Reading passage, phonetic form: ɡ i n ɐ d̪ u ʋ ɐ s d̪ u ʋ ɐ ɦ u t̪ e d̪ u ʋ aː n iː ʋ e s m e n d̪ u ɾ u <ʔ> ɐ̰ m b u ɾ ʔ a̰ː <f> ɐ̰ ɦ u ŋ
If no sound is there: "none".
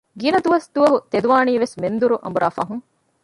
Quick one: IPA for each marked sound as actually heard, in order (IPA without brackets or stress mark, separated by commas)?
ʔ, f